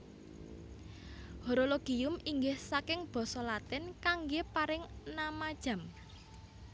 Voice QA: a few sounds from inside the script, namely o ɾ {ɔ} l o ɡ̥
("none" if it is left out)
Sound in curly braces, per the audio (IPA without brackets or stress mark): o